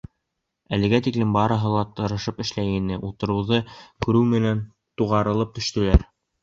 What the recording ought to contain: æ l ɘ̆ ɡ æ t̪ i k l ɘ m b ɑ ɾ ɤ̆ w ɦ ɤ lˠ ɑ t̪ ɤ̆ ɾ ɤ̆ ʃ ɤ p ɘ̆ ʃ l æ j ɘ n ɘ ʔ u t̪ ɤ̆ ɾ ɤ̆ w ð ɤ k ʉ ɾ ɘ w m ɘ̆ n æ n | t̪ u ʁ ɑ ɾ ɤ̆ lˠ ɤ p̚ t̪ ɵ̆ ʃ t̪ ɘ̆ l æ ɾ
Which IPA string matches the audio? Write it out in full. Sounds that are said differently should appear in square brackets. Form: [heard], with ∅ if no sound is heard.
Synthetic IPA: æ l ɘ̆ ɡ æ t̪ i k l ɘ m b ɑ ɾ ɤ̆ [∅] ɦ ɤ lˠ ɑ t̪ ɤ̆ ɾ ɤ̆ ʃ ɤ p ɘ̆ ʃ l æ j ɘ n ɘ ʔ u t̪ ɤ̆ ɾ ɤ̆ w ð ɤ k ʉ ɾ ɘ w m ɘ̆ n æ n | t̪ u ʁ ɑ ɾ ɤ̆ lˠ ɤ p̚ t̪ ɵ̆ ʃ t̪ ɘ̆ l æ ɾ